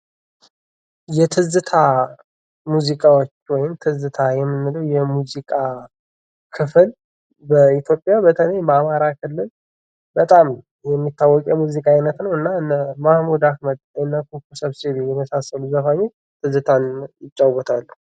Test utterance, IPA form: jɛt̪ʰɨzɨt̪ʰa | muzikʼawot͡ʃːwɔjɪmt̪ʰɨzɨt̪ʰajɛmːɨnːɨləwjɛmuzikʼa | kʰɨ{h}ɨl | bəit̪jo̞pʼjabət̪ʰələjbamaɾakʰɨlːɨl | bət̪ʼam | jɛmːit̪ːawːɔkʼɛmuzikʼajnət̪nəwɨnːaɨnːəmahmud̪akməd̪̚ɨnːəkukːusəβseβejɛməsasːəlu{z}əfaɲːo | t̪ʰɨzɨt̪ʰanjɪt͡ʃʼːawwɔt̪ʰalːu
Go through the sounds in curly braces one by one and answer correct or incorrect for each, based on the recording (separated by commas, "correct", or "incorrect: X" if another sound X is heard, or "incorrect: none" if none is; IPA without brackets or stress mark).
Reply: incorrect: f, correct